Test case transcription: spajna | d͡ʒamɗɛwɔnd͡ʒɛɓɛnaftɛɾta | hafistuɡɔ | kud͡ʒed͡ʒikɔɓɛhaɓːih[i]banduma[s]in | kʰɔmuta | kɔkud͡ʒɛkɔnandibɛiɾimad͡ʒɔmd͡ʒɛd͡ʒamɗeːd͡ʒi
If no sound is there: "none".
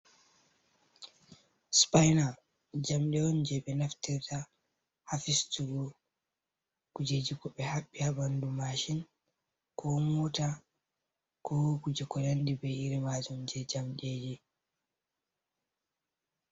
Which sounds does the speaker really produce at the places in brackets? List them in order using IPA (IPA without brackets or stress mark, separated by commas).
a, ʃ